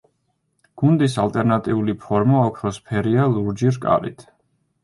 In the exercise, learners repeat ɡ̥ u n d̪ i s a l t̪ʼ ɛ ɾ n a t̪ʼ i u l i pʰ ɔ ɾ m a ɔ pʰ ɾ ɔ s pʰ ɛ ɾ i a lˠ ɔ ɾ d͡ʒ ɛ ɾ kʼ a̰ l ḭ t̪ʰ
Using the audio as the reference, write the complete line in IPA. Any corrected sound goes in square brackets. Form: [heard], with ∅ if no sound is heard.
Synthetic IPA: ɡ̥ u n d̪ i s a l t̪ʼ ɛ ɾ n a t̪ʼ i u l i pʰ ɔ ɾ m a ɔ [kʰ] ɾ ɔ s pʰ ɛ ɾ i a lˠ [u] ɾ d͡ʒ [i] ɾ kʼ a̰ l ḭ t̪ʰ